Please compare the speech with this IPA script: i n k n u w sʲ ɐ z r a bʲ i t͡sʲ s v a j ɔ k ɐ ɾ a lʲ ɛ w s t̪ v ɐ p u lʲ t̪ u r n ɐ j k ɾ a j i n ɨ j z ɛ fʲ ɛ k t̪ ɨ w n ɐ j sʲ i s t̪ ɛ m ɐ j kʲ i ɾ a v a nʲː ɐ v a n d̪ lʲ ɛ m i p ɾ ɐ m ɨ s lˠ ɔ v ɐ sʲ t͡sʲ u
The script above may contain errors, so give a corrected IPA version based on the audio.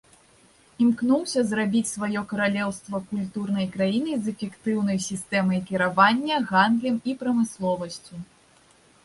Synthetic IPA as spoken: i m k n u w sʲ ɐ z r a bʲ i t͡sʲ s v a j ɔ k ɐ ɾ a lʲ ɛ w s t̪ v ɐ k u lʲ t̪ u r n ɐ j k ɾ a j i n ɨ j z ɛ fʲ ɛ k t̪ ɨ w n ɐ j sʲ i s t̪ ɛ m ɐ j kʲ i ɾ a v a nʲː ɐ ɣ a n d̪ lʲ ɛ m i p ɾ ɐ m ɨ s lˠ ɔ v ɐ sʲ t͡sʲ u